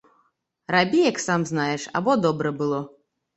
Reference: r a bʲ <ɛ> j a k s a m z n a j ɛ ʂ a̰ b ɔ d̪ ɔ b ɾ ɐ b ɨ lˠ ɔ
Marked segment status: incorrect: i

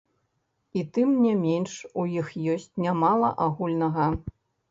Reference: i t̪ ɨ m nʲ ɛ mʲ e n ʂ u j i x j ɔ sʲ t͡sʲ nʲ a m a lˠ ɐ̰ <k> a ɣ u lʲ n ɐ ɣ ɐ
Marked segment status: incorrect: ʔ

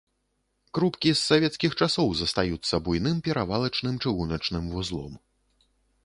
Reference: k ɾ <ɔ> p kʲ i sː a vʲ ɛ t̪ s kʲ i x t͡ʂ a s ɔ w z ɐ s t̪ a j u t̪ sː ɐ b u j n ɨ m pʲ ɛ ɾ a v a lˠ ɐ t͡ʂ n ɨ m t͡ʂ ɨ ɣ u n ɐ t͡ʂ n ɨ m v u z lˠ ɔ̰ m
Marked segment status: incorrect: u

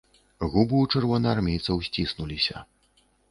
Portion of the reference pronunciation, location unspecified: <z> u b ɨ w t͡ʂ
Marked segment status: incorrect: ɣ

